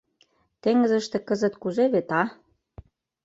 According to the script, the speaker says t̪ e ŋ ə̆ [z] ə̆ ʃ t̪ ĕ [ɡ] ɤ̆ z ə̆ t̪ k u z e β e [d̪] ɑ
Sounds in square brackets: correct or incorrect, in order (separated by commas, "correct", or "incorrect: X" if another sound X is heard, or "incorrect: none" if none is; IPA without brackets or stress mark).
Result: correct, incorrect: k, incorrect: t̪